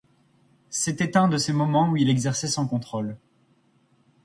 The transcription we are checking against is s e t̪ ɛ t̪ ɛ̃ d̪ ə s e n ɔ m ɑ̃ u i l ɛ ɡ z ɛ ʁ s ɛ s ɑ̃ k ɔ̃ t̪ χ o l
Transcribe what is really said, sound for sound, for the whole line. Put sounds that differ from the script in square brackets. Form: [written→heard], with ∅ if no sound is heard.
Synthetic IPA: s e t̪ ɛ t̪ ɛ̃ d̪ ə s e [n→m] ɔ m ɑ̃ u i l ɛ ɡ z ɛ ʁ s ɛ s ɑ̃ k ɔ̃ t̪ χ o l